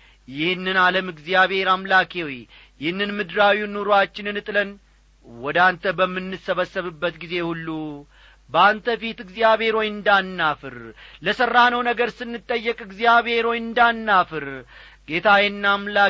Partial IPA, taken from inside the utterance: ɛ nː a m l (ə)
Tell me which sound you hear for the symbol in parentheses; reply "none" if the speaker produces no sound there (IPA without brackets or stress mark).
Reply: a